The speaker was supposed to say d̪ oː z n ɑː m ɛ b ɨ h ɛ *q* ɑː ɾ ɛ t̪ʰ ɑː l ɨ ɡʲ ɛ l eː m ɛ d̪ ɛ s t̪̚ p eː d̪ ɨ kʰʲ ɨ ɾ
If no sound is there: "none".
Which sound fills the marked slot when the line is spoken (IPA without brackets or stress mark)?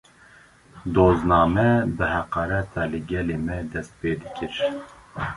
q